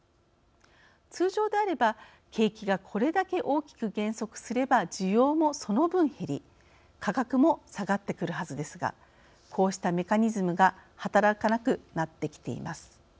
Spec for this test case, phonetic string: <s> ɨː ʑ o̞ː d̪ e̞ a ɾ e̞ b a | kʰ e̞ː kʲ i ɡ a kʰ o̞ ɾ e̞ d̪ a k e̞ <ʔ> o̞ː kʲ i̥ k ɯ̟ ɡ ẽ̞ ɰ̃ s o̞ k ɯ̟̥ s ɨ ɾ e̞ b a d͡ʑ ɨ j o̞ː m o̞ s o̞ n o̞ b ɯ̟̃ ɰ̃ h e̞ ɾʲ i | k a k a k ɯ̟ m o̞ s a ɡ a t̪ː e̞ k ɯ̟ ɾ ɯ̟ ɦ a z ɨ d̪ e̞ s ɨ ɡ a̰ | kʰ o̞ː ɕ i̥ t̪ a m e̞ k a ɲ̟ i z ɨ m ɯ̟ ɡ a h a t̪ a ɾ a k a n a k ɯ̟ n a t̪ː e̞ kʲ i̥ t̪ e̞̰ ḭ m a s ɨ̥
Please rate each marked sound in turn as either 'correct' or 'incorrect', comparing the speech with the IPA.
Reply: incorrect: t͡s, correct

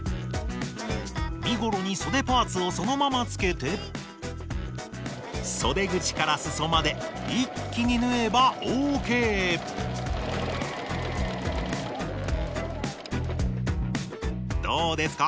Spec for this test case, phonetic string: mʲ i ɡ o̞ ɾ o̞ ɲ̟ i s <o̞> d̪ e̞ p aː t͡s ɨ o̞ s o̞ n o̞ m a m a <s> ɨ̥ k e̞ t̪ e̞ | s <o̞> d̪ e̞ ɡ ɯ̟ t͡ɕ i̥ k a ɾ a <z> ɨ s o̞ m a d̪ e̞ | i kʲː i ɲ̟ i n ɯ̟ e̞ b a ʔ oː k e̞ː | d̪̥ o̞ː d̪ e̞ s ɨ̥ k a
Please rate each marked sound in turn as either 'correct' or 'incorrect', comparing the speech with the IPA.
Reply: correct, incorrect: t͡s, correct, incorrect: s

